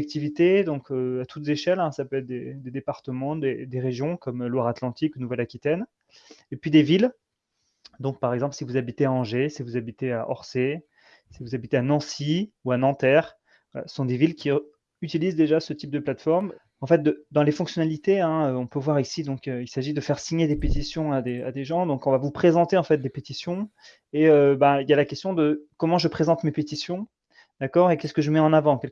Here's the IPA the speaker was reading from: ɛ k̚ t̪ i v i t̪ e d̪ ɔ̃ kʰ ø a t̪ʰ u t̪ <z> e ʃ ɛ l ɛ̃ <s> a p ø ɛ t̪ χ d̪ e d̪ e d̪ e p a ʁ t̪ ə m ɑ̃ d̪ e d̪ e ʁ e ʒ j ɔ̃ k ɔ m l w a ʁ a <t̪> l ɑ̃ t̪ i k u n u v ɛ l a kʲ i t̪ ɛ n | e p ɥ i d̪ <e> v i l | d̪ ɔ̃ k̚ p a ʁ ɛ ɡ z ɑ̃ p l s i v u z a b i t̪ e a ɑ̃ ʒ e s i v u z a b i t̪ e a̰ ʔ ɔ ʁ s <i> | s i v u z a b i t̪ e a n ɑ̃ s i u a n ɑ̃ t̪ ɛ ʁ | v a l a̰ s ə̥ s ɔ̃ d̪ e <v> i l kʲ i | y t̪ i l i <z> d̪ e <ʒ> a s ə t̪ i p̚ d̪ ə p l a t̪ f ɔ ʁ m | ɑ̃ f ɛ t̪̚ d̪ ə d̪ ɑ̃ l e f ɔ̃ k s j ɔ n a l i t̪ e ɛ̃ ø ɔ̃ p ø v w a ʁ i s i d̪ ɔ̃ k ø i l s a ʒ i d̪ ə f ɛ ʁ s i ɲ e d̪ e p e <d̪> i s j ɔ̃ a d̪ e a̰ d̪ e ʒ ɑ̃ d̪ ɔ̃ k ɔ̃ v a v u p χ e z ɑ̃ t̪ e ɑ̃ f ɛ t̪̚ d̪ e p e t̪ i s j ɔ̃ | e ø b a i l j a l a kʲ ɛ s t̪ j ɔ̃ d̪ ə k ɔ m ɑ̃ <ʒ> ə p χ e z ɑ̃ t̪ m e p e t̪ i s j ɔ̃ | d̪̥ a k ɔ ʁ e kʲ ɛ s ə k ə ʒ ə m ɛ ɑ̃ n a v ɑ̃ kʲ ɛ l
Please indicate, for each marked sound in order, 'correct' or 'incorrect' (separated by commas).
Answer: correct, correct, correct, correct, incorrect, correct, correct, correct, incorrect, correct